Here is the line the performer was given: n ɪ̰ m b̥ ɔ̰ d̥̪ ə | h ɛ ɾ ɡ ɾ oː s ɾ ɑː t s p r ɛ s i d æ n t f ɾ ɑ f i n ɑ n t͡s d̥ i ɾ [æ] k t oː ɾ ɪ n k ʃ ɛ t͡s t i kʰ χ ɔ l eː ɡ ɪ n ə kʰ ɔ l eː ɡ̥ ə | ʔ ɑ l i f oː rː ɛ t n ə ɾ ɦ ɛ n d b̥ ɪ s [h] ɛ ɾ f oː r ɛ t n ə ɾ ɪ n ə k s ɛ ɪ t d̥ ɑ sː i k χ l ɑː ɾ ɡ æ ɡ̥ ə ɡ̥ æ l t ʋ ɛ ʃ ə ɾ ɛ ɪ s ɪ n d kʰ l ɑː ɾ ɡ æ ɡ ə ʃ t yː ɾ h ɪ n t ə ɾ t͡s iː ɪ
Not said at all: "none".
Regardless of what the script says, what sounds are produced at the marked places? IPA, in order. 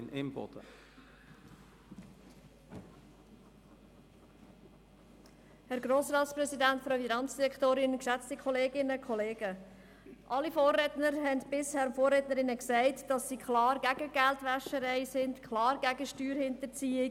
ɛ, h

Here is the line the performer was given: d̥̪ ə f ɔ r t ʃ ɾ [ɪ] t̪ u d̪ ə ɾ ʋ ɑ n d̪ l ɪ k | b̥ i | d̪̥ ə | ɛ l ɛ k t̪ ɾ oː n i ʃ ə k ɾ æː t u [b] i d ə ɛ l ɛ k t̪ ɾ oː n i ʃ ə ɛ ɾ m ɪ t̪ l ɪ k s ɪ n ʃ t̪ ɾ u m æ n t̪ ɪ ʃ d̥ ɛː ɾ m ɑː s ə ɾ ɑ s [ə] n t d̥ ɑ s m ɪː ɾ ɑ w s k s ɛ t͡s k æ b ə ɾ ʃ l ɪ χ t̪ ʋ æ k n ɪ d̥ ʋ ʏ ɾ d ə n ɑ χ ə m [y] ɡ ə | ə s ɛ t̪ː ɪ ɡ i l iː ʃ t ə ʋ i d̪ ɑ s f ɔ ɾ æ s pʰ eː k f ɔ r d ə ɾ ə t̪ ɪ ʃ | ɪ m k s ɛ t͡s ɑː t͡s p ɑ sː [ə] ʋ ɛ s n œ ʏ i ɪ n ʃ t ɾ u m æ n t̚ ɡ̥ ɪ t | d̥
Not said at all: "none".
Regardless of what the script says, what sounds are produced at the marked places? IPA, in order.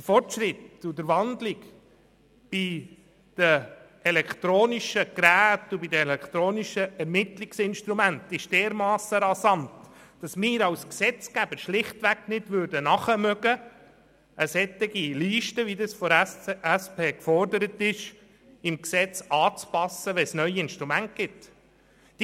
ɪ, b, ɑ, œ, ə

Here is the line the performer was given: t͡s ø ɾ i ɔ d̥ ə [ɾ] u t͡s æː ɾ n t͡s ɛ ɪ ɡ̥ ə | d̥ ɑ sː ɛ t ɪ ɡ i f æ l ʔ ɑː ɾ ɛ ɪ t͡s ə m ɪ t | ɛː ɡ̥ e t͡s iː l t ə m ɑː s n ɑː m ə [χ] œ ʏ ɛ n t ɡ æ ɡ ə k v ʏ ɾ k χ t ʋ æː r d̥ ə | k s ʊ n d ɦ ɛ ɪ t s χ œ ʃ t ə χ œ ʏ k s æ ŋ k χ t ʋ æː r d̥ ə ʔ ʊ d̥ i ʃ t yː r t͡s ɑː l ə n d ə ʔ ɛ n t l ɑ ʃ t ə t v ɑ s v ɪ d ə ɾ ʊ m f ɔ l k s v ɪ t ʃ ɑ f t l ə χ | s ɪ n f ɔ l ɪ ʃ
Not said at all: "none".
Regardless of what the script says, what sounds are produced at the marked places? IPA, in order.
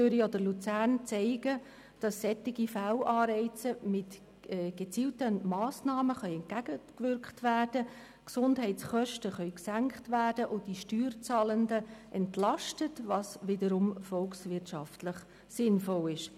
l, χ

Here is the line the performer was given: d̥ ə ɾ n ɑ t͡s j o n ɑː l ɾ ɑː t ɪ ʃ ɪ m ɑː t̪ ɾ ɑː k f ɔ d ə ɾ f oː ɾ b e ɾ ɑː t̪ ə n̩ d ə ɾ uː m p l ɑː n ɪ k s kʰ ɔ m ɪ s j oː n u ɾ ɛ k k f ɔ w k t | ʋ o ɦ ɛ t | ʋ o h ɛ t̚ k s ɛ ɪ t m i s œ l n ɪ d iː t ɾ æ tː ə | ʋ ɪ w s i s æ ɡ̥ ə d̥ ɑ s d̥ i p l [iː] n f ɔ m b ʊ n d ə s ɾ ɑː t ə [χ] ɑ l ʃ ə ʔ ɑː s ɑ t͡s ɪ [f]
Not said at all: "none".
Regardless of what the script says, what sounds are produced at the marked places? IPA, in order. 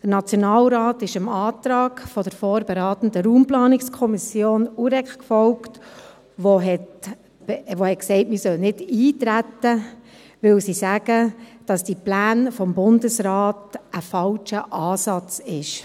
æː, f, ʃ

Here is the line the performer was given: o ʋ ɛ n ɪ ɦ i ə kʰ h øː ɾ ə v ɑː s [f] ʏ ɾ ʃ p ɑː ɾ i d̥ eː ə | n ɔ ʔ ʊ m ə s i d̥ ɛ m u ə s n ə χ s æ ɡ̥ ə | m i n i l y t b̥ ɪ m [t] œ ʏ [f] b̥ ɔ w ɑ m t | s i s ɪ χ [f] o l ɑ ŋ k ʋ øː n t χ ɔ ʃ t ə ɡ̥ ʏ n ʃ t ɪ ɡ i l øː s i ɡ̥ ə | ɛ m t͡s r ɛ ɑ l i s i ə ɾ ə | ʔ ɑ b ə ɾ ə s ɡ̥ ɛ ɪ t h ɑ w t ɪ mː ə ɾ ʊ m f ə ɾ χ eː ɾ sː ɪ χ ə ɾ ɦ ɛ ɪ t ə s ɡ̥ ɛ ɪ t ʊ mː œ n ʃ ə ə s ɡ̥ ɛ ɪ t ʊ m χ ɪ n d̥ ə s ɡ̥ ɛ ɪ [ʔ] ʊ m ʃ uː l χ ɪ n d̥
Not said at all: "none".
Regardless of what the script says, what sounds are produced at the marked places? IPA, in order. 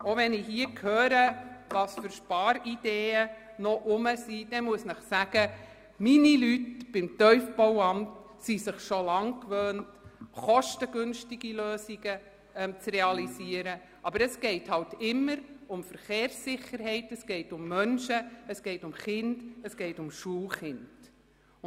f, t, f, ʃ, t

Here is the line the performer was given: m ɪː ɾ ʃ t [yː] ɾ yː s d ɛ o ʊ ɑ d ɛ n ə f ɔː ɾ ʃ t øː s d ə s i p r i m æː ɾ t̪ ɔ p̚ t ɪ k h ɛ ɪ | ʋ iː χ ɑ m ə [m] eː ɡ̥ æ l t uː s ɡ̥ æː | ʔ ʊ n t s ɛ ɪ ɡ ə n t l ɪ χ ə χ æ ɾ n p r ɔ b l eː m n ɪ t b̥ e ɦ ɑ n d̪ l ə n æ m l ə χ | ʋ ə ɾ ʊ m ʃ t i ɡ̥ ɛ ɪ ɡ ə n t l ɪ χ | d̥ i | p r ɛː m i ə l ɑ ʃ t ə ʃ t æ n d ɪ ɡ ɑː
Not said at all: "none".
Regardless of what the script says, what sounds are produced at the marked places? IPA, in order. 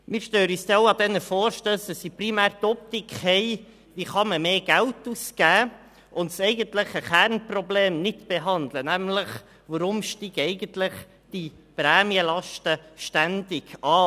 øː, m

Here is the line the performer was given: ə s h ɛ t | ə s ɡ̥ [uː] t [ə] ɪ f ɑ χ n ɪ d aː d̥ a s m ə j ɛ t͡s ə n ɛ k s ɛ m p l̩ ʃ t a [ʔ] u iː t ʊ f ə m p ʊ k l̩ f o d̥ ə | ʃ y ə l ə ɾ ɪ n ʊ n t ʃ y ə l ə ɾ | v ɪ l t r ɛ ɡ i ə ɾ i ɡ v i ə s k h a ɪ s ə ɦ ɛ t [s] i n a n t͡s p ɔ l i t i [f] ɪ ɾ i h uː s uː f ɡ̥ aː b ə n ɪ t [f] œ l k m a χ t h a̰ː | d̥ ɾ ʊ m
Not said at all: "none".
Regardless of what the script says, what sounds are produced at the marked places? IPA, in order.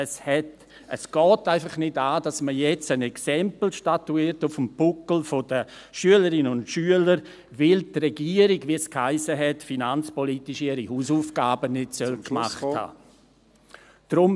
ɔː, a, t, f, ʃ, s

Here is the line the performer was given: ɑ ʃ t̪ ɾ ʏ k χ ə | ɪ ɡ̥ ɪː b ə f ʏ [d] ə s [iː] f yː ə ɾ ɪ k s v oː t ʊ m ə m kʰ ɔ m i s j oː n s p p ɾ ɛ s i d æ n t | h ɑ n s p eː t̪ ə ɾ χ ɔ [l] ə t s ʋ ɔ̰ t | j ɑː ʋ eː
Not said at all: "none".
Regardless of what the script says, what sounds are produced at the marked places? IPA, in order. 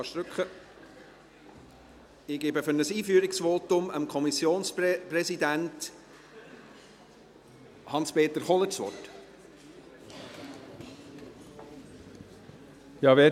n, iː, l

